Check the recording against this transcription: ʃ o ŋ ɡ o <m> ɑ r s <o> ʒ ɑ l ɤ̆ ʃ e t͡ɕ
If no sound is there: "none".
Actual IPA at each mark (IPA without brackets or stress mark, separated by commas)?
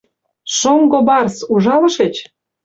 b, u